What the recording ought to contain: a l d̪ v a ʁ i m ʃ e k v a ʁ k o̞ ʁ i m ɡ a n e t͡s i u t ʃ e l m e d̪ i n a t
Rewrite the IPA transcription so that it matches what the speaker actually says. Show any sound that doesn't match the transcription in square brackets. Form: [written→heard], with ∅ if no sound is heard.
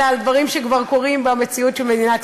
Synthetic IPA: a l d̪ v a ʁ i m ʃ e k v a ʁ k o̞ ʁ i m [ɡ→b] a [n→m] e t͡s i u t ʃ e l m e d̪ i n a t